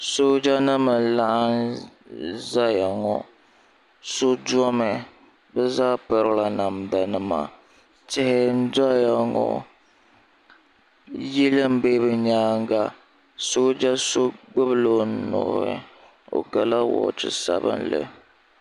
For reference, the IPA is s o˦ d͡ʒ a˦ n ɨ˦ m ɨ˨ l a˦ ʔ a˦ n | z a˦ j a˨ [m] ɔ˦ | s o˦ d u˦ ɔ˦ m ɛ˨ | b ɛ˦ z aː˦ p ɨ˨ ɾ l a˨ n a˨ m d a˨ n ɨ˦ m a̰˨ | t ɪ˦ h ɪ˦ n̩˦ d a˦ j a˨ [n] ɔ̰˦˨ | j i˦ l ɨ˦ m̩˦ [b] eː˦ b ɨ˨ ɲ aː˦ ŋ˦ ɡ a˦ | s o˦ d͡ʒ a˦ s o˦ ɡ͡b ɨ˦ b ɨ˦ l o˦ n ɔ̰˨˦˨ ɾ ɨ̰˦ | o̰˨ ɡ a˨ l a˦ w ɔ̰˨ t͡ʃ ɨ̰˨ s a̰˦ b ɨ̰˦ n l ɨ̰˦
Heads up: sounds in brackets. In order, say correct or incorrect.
incorrect: ŋ, incorrect: ŋ, correct

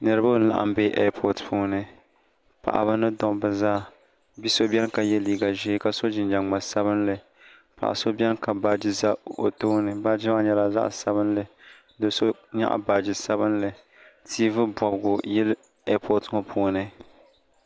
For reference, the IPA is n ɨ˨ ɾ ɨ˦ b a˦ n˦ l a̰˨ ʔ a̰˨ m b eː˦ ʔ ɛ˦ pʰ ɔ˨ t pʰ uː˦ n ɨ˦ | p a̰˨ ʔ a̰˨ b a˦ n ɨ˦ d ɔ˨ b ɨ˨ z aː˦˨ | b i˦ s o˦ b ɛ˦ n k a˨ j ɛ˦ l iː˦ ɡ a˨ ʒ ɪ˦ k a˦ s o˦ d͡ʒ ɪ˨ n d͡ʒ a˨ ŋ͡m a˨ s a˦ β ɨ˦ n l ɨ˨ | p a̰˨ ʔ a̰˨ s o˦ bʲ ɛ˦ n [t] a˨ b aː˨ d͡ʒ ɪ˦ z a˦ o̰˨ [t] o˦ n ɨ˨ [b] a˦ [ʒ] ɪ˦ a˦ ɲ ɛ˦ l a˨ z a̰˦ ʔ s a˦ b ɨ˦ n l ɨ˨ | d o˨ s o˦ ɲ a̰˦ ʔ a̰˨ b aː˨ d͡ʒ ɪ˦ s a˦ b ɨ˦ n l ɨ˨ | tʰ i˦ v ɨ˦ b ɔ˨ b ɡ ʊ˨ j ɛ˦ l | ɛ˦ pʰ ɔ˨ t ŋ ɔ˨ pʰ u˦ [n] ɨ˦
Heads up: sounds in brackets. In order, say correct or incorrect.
incorrect: k, correct, correct, incorrect: d͡ʒ, correct

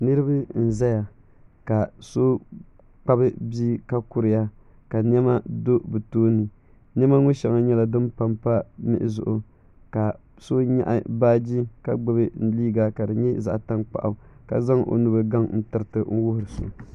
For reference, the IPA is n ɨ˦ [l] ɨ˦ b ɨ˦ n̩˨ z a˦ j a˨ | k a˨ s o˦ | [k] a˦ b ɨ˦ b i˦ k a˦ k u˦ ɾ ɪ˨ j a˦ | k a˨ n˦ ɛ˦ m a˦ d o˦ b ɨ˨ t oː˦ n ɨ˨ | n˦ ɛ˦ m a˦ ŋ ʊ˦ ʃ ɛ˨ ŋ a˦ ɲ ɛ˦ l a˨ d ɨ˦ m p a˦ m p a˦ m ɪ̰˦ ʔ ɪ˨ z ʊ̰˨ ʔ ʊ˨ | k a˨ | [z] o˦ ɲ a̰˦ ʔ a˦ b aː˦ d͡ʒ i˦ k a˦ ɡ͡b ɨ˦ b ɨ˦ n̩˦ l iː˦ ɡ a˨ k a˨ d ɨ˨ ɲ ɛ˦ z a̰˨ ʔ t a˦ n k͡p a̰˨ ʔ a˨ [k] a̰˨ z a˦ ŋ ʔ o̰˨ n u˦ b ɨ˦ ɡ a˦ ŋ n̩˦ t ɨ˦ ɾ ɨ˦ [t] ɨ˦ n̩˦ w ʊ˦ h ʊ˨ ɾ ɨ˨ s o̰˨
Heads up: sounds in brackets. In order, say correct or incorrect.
incorrect: ɾ, incorrect: k͡p, incorrect: s, correct, correct

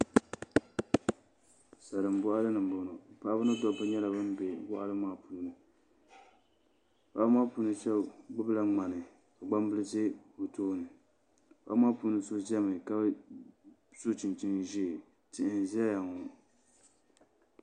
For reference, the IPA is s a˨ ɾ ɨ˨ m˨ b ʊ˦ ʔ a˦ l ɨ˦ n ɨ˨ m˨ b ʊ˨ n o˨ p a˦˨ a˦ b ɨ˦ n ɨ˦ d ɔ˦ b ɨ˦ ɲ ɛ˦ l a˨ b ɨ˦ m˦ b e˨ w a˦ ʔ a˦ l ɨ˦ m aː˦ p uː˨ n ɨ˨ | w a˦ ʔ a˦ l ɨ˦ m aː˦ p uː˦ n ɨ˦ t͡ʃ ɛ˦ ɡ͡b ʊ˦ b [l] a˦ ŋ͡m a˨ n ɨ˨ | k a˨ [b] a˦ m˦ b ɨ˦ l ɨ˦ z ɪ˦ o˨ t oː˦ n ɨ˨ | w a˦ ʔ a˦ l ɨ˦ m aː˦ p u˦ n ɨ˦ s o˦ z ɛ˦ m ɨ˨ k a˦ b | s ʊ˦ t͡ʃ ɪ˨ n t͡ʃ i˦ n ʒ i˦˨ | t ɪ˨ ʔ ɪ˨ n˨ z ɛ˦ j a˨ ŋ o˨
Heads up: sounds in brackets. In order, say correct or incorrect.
correct, incorrect: ɡ͡b

